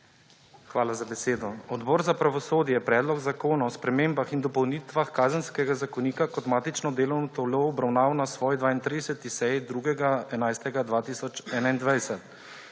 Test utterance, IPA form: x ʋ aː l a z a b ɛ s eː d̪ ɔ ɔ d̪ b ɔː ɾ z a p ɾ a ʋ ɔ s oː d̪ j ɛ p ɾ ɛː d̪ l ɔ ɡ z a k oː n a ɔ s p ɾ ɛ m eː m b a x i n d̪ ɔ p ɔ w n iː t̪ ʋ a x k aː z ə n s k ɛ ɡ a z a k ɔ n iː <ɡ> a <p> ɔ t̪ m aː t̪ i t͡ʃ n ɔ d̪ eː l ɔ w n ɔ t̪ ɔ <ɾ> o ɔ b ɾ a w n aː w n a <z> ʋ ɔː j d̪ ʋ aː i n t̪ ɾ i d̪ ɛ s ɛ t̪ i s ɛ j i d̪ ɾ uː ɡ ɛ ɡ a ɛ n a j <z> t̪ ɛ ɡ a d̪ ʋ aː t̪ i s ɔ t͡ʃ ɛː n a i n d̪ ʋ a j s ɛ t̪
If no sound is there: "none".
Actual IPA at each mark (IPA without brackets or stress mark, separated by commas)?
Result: k, k, l, s, s